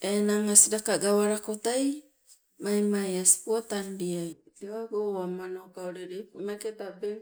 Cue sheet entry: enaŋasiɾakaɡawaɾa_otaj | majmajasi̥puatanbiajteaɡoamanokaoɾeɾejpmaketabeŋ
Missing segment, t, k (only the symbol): k